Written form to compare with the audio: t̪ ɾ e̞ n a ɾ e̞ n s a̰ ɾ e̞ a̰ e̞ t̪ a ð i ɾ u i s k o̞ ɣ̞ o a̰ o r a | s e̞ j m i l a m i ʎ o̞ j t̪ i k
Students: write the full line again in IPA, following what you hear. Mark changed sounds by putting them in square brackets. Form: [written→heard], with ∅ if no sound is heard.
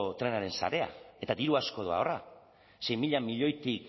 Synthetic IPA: t̪ ɾ e̞ n a ɾ e̞ n s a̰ ɾ e̞ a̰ e̞ t̪ a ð i ɾ u [i→a] s k o̞ [ɣ̞→ð̞] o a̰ o r a | s e̞ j m i [l→ʎ] a m i ʎ o̞ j t̪ i k